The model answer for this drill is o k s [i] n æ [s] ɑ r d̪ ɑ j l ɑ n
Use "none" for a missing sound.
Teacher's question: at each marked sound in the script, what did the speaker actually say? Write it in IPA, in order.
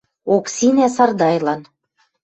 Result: i, s

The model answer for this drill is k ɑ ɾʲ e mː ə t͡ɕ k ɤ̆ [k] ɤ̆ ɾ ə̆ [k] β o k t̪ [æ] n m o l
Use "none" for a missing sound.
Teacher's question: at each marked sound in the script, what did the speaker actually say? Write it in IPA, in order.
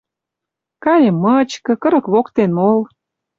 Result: k, k, e

